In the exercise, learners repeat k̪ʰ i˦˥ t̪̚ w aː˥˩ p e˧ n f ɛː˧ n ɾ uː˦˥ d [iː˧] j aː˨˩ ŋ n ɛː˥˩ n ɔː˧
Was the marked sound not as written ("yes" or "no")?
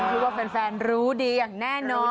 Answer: no